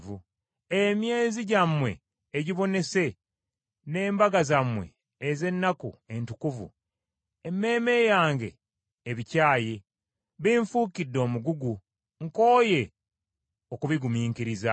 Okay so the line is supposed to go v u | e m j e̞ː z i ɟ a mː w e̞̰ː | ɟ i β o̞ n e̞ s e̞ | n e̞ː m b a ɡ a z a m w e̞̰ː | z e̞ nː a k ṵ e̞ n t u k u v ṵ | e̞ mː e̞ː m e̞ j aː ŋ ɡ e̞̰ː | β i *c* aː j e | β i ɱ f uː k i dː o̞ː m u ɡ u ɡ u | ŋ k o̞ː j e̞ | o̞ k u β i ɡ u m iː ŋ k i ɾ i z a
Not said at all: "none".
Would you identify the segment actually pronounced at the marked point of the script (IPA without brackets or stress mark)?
c